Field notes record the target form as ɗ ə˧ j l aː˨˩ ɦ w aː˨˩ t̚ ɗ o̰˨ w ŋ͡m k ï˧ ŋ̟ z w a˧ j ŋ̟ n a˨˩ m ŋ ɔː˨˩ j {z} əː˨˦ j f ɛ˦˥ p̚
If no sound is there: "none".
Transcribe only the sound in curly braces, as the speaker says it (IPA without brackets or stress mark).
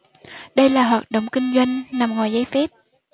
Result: z